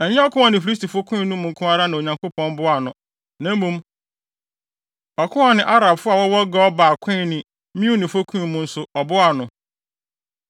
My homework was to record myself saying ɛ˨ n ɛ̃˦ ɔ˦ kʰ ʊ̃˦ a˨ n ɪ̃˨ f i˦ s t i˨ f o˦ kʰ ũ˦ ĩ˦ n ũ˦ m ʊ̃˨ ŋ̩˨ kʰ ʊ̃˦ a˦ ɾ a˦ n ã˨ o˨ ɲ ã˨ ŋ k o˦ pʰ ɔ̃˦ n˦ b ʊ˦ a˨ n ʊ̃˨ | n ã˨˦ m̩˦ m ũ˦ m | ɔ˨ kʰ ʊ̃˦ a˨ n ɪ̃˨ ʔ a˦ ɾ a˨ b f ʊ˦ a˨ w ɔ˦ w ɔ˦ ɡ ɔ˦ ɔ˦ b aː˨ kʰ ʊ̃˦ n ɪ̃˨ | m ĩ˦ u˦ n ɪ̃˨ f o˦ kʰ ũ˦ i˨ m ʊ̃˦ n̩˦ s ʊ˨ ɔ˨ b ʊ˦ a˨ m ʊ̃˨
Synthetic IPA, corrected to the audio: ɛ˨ ɲ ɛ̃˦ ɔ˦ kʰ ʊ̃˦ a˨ n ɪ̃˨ f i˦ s t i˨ f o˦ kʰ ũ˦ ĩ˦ n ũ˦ m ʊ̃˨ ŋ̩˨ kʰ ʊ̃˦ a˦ ɾ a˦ n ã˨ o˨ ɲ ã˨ ŋ k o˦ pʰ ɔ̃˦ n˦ b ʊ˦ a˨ n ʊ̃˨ | n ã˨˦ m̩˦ m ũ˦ m | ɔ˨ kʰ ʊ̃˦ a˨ n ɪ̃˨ ʔ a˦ ɾ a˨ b f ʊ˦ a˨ w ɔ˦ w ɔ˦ ɡ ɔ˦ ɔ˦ b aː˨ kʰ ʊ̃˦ n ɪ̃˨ | m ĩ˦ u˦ n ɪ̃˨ f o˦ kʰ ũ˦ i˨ m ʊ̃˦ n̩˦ s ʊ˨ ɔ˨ b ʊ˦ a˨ n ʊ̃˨